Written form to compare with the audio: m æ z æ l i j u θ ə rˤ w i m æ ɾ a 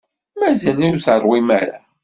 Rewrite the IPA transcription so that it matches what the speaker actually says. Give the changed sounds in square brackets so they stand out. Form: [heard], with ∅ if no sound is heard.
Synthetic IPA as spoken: m æ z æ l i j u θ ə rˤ w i m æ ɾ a

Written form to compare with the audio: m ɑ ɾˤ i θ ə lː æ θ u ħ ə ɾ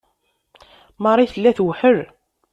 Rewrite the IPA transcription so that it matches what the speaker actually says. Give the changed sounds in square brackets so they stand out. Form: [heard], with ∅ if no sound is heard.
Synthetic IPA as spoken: m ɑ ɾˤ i θ ə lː æ θ [w] ħ ə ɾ

